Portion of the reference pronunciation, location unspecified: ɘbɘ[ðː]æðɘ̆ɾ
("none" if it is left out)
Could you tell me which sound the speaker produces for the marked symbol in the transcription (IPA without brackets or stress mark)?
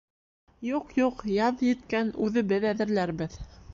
ð